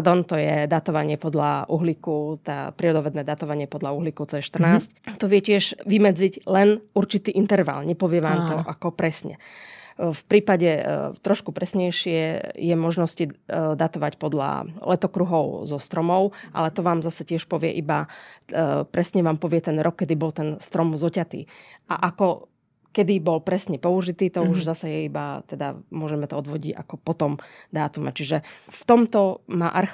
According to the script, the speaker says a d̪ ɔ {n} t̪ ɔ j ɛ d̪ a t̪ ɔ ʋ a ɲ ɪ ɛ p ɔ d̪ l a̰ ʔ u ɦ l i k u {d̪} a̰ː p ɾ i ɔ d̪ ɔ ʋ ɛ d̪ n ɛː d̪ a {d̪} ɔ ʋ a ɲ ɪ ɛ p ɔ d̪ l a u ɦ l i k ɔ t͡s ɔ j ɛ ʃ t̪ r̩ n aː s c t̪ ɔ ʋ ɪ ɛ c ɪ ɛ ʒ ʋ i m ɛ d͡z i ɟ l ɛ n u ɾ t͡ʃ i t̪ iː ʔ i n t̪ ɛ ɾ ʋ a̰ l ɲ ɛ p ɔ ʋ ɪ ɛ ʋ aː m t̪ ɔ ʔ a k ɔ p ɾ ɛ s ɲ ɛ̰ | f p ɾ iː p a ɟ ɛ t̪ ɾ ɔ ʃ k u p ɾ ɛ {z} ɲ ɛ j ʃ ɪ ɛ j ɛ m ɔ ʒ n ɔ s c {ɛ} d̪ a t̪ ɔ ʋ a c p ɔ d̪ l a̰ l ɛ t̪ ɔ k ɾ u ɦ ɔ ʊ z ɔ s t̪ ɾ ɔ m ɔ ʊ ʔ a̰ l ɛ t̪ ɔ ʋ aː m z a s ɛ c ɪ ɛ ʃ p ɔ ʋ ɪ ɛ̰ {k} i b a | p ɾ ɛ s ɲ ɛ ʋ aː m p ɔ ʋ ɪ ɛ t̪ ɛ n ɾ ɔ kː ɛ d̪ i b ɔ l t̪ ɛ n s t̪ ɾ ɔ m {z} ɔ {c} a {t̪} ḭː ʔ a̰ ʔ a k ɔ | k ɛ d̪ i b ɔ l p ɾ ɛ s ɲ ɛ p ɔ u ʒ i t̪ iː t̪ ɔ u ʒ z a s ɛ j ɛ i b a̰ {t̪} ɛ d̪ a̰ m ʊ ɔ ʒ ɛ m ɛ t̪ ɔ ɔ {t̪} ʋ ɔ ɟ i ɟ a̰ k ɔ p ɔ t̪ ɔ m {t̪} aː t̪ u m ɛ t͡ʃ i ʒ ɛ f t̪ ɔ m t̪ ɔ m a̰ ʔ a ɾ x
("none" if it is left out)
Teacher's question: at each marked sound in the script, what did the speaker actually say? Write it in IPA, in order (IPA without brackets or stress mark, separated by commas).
n, t̪, t̪, s, i, ʔ, z, c, t̪, t̪, d̪, d̪